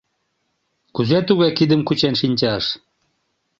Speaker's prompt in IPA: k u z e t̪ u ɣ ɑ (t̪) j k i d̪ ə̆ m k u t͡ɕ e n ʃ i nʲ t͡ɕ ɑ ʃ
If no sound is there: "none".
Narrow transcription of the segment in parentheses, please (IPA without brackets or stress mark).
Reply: none